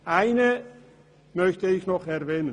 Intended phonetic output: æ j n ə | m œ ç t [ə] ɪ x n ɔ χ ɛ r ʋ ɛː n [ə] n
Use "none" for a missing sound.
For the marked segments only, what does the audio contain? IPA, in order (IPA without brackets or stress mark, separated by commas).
ə, ə